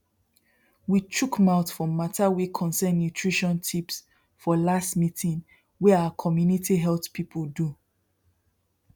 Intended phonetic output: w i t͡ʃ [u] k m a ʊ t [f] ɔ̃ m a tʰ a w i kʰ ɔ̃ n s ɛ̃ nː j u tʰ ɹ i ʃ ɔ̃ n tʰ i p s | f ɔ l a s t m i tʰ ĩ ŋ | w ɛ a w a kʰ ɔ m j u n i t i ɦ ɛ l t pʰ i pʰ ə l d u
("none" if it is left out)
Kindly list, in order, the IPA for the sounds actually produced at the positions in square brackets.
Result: u, f

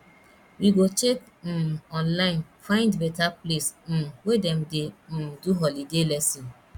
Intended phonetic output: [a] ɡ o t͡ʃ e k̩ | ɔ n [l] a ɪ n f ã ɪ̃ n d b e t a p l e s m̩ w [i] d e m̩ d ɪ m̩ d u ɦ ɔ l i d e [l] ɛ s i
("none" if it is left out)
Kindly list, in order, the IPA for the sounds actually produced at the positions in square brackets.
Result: i, l, e, l

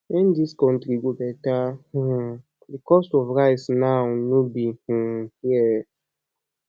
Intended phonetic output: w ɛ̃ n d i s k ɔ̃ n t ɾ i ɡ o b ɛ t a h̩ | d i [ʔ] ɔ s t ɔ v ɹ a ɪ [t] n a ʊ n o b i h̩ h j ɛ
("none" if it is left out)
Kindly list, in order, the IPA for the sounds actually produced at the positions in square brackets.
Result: k, s

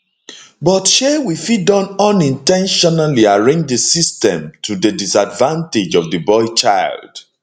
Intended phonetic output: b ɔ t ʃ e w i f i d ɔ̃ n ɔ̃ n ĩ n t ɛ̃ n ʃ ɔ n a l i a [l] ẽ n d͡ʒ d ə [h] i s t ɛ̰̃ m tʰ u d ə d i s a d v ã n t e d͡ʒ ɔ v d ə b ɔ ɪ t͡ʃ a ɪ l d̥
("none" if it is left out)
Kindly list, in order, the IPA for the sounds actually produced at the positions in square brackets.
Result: ɹ, s

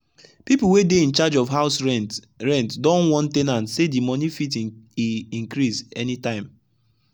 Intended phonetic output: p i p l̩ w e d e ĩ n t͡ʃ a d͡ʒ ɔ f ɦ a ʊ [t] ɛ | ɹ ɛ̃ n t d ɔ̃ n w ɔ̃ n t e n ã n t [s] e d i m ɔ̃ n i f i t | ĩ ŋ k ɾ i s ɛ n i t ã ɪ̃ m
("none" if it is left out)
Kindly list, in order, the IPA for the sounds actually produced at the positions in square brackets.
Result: s, s

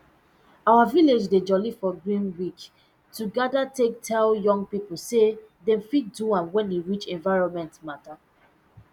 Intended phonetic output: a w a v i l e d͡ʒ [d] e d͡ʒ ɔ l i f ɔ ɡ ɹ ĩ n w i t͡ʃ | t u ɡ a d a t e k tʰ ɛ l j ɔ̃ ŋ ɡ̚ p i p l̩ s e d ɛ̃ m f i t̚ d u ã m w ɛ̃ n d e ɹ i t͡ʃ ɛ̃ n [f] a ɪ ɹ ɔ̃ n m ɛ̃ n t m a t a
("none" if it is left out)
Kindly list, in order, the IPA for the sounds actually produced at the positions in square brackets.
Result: d, v

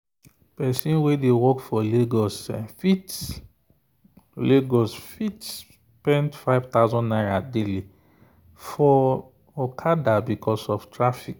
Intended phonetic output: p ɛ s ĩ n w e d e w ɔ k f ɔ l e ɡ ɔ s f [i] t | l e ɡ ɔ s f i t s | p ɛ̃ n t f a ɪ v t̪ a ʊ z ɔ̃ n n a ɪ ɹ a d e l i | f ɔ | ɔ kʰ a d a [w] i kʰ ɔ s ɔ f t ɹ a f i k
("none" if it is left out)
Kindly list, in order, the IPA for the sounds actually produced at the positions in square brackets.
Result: i, b

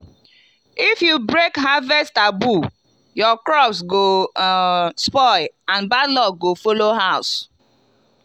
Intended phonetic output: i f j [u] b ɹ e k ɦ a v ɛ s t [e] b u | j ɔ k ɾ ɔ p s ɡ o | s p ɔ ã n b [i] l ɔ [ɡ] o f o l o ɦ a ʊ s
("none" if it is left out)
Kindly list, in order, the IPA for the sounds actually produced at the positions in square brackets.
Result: u, a, a, ɡ

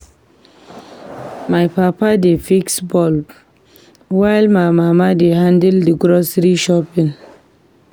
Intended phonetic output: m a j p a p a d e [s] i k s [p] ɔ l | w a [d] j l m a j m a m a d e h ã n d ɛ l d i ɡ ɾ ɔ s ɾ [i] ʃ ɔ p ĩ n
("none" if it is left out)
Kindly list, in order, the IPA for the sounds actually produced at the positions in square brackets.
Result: f, b, none, i

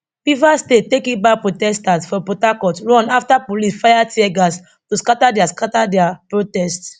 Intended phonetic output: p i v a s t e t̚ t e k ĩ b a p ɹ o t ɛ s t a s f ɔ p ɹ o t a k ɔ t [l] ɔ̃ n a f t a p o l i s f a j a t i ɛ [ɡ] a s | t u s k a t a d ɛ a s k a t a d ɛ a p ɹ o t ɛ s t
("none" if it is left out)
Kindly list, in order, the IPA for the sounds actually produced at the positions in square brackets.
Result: ɹ, ɡ

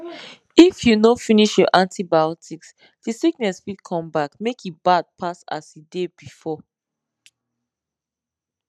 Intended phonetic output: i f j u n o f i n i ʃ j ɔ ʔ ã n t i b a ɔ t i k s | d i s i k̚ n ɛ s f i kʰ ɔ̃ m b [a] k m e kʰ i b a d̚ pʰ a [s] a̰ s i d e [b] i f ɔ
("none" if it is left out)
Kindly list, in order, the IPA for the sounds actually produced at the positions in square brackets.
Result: a, s, b

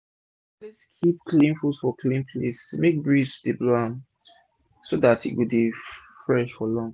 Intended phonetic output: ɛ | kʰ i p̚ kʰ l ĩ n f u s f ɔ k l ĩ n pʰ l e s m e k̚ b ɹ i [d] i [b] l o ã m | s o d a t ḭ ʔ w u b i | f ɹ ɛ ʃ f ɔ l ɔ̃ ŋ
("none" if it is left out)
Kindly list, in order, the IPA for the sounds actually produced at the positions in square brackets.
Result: d, b

